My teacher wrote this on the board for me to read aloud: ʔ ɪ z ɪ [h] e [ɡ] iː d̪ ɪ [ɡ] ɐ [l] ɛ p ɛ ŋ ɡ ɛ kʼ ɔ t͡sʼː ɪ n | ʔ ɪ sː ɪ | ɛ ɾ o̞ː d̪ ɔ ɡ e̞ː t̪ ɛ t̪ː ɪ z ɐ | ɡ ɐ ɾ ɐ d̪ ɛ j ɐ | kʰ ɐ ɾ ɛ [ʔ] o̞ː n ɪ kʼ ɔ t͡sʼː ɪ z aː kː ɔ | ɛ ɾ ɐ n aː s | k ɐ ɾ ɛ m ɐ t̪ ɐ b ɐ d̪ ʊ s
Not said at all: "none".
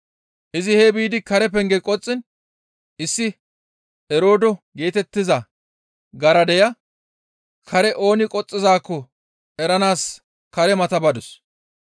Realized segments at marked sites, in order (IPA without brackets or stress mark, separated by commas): h, b, k, ɾ, ʔ